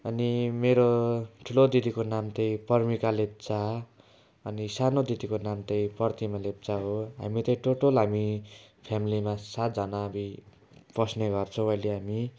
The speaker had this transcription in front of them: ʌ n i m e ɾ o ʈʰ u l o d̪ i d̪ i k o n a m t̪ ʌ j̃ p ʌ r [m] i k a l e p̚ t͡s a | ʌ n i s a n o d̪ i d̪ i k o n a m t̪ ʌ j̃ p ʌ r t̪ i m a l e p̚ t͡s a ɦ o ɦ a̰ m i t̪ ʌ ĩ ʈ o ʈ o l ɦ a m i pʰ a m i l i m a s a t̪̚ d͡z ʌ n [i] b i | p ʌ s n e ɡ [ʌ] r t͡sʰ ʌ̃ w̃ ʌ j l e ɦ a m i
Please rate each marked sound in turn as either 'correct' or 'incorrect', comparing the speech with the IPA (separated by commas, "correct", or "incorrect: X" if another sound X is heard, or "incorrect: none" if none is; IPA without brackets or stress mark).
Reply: correct, incorrect: a, correct